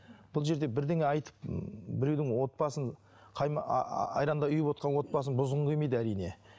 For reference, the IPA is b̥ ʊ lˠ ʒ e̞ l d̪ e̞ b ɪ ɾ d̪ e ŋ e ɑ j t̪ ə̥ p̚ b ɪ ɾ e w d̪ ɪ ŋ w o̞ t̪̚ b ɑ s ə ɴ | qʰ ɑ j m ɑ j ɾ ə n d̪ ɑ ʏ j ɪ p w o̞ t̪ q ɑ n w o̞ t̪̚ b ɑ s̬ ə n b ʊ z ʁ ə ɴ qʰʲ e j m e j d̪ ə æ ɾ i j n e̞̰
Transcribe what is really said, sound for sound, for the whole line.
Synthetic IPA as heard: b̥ ʊ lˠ ʒ e̞ ɾ d̪ e̞ b ɪ ɾ d̪ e ŋ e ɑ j t̪ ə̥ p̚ b ɪ ɾ e w d̪ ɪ ŋ w o̞ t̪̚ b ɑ s ə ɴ | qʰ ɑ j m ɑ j ɾ ɑ n d̪ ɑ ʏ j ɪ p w o̞ t̪ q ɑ n w o̞ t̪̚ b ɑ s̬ ə n b ʊ z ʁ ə ɴ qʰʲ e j m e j d̪ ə æ ɾ i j n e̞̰